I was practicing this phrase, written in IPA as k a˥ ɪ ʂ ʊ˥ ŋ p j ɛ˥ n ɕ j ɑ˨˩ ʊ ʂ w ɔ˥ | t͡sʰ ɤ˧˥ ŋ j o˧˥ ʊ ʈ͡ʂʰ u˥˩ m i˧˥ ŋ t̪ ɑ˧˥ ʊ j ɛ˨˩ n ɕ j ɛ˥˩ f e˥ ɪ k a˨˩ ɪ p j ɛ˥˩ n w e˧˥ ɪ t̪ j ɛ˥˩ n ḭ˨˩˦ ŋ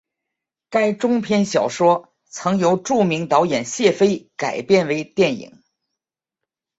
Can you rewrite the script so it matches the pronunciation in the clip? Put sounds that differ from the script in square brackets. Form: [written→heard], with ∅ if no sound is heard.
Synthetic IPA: k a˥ ɪ [ʂ→ʈ͡ʂ] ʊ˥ ŋ [p→pʰ] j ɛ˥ n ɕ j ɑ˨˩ ʊ ʂ w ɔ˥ | t͡sʰ ɤ˧˥ ŋ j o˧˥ ʊ [ʈ͡ʂʰ→ʈ͡ʂ] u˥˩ m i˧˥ ŋ t̪ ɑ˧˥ ʊ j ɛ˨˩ n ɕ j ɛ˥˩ f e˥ ɪ k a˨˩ ɪ p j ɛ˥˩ n w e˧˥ ɪ t̪ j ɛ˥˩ n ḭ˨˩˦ ŋ